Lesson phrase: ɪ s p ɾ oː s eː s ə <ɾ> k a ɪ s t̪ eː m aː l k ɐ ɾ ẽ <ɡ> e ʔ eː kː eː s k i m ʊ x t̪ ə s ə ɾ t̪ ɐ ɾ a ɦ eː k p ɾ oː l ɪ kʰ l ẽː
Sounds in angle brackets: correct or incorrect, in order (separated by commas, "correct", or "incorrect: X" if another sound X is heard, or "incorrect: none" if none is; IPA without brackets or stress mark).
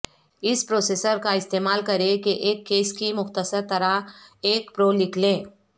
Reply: correct, incorrect: k